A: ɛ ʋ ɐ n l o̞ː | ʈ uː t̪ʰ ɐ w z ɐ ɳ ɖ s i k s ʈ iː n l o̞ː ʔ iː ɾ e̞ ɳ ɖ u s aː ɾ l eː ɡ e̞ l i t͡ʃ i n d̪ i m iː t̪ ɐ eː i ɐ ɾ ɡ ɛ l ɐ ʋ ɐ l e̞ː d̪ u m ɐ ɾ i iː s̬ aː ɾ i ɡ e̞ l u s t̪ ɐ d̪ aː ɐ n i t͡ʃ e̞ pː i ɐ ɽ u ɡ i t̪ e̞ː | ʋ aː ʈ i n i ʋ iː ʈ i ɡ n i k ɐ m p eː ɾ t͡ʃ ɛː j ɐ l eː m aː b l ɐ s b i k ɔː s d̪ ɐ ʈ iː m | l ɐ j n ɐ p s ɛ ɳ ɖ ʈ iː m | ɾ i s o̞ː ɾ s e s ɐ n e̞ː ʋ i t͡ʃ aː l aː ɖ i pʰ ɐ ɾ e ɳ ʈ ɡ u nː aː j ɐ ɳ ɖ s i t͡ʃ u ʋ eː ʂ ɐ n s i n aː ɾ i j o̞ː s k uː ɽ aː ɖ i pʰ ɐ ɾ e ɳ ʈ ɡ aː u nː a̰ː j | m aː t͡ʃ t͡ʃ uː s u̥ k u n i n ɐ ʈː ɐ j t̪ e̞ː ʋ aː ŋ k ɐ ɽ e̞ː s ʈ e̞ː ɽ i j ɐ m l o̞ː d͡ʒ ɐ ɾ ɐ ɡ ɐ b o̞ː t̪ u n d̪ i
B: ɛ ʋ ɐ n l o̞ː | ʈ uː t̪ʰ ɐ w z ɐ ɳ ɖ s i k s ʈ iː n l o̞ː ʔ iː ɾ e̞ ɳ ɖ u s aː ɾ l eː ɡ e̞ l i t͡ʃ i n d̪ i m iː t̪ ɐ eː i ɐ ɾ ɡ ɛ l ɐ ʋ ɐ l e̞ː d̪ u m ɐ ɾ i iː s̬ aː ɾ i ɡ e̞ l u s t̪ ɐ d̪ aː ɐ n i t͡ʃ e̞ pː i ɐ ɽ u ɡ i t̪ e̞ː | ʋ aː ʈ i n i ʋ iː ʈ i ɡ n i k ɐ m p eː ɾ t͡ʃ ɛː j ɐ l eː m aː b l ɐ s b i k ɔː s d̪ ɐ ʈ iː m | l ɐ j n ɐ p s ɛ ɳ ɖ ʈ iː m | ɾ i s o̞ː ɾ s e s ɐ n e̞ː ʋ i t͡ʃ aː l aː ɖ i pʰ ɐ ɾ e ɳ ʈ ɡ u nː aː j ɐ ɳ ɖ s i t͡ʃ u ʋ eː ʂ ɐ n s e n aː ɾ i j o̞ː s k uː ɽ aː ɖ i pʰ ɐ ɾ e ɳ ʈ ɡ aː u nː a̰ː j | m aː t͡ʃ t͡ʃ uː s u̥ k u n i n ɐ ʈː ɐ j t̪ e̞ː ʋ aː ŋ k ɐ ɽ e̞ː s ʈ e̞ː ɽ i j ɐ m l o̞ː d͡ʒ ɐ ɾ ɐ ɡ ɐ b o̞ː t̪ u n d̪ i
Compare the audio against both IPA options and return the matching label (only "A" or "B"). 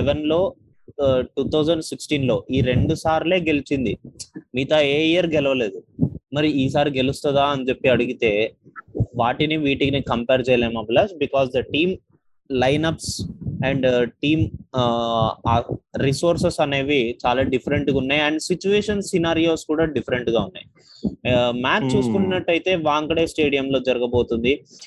A